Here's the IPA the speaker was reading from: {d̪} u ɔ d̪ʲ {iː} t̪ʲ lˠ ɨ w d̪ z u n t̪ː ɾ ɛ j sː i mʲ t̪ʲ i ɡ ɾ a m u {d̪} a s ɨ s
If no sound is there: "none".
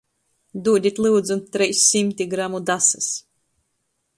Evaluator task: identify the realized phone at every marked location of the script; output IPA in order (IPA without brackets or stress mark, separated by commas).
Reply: d̪, i, d̪